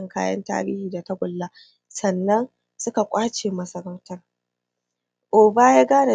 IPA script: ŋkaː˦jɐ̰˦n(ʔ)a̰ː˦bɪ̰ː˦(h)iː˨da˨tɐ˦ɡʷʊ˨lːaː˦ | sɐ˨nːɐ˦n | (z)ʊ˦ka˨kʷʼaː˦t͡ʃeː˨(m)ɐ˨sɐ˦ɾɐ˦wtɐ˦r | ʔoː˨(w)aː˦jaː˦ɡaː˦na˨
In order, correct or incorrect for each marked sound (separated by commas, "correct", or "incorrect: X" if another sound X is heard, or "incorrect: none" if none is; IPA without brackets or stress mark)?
incorrect: t, correct, incorrect: s, correct, incorrect: b